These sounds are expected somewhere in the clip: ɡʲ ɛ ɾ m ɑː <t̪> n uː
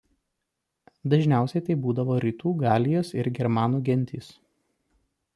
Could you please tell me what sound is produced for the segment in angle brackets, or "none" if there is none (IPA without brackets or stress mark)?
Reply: none